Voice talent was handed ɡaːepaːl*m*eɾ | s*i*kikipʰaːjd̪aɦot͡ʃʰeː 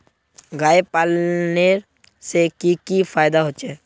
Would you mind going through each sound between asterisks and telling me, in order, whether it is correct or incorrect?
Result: incorrect: n, incorrect: e

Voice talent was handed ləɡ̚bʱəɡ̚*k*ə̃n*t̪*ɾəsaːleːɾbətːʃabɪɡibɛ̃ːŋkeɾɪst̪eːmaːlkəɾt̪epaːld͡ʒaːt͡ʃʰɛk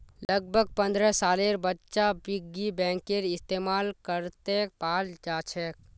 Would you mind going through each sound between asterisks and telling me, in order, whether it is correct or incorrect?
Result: incorrect: p, incorrect: d̪

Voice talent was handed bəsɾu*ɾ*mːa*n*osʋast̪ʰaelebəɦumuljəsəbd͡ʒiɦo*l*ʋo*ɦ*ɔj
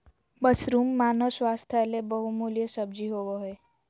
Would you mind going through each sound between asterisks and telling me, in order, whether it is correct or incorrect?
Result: incorrect: none, correct, incorrect: none, correct

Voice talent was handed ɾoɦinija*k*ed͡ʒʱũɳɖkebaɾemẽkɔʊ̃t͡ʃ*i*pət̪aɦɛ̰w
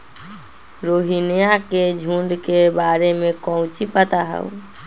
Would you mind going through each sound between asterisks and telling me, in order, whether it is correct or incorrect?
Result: correct, correct

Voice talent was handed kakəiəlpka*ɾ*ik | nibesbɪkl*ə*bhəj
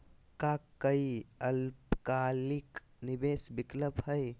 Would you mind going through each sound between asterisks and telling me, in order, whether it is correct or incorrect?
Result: incorrect: l, correct

